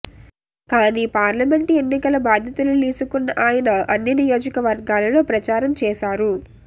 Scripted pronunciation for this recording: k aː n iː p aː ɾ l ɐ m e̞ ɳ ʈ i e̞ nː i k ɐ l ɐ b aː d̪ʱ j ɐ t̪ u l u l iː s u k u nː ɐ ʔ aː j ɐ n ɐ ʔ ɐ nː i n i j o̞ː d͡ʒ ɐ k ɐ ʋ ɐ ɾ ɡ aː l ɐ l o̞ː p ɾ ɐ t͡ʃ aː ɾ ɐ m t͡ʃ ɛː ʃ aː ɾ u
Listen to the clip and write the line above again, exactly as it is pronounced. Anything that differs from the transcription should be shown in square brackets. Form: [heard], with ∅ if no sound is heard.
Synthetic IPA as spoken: k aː n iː p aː ɾ l ɐ m e̞ ɳ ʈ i e̞ nː i k ɐ l ɐ b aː d̪ʱ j ɐ t̪ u l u l iː s u k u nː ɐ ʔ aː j ɐ n ɐ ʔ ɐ nː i n i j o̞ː d͡ʒ ɐ k ɐ ʋ ɐ ɾ ɡ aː l ɐ l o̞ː p ɾ ɐ t͡ʃ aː ɾ ɐ m t͡ʃ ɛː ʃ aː ɾ u

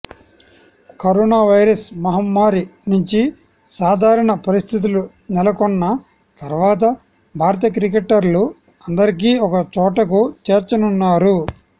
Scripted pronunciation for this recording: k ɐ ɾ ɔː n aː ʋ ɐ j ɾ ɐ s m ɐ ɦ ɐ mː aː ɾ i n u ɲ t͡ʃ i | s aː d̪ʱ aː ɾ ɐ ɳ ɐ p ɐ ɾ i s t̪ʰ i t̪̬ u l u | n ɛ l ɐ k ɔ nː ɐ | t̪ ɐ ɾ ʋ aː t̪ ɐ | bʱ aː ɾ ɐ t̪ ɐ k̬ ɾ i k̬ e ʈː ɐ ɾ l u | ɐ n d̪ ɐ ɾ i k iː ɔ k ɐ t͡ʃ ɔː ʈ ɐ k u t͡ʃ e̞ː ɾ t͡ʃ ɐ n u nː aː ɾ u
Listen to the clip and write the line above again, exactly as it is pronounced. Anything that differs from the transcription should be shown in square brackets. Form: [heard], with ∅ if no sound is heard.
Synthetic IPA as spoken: k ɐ ɾ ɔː n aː ʋ ɐ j ɾ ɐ s m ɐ ɦ ɐ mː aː ɾ i n u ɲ t͡ʃ i | s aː d̪ʱ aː ɾ ɐ ɳ ɐ p ɐ ɾ i s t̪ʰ i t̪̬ u l u | n ɛ l ɐ k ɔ nː ɐ | t̪ ɐ ɾ ʋ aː t̪ ɐ | bʱ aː ɾ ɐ t̪ ɐ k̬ ɾ i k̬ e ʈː ɐ ɾ l u | ɐ n d̪ ɐ ɾ i k iː ɔ k ɐ t͡ʃ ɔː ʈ ɐ k u t͡ʃ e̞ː ɾ t͡ʃ ɐ n u nː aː ɾ u

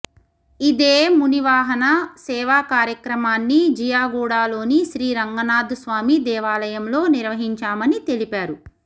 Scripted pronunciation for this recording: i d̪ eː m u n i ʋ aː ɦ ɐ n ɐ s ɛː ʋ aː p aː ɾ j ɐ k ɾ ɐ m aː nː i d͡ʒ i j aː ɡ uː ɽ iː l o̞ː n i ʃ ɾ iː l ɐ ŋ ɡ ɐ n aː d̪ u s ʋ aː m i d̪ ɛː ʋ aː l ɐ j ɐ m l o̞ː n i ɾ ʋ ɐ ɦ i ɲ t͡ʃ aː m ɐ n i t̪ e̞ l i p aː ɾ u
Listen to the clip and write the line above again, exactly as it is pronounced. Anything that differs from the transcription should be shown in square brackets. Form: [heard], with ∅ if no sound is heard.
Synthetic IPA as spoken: i d̪ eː m u n i ʋ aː ɦ ɐ n ɐ s ɛː ʋ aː [k] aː ɾ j ɐ k ɾ ɐ m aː nː i d͡ʒ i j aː ɡ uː ɽ [aː] l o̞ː n i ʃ ɾ iː [ɾ] ɐ ŋ ɡ ɐ n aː d̪ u s ʋ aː m i d̪ ɛː ʋ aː l ɐ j ɐ m l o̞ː n i ɾ ʋ ɐ ɦ i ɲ t͡ʃ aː m ɐ n i t̪ e̞ l i p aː ɾ u

